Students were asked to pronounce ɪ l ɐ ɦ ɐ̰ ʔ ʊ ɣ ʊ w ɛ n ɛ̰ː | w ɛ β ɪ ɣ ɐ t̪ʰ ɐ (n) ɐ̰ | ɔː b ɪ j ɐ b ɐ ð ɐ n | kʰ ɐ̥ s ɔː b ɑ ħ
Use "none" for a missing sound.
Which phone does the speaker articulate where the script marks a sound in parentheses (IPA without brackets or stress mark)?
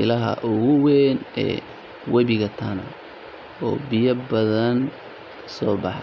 n